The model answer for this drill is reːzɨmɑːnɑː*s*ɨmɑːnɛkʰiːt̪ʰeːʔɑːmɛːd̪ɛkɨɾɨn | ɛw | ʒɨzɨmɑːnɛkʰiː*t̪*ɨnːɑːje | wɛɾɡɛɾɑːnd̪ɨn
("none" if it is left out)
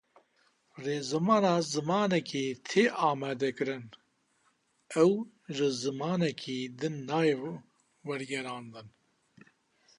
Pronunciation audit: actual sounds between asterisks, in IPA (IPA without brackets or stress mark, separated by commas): z, d̪